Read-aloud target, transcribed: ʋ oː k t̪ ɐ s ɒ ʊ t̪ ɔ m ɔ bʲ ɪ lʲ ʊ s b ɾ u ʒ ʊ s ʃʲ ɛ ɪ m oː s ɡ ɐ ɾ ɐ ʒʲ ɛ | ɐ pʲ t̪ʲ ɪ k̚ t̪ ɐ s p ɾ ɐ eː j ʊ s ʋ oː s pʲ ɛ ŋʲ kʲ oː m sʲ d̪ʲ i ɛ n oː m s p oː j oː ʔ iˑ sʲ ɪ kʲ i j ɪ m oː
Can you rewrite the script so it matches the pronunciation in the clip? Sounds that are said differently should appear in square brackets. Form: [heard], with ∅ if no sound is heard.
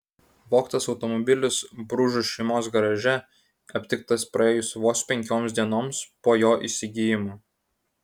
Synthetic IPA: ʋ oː k t̪ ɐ s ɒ ʊ t̪ ɔ m ɔ bʲ ɪ lʲ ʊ s b ɾ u ʒ ʊ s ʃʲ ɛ ɪ m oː s ɡ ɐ ɾ ɐ ʒʲ ɛ | ɐ pʲ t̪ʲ ɪ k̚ t̪ ɐ s p ɾ ɐ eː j ʊ s ʋ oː s pʲ ɛ ŋʲ kʲ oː m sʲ d̪ʲ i ɛ n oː m s p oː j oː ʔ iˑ sʲ ɪ [ɡʲ] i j ɪ m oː